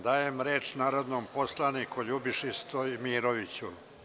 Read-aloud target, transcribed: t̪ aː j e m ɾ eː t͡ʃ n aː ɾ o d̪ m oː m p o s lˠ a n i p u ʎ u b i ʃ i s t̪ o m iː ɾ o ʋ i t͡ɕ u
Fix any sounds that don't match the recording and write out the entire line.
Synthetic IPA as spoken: d̪ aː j e m ɾ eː t͡ʃ n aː ɾ o d̪ n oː m p o s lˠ a n i k u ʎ u b i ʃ i s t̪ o m iː ɾ o ʋ i t͡ɕ u